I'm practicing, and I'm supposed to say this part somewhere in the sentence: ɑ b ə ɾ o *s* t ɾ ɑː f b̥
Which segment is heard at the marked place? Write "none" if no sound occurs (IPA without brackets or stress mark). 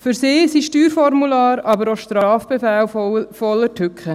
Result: ʃ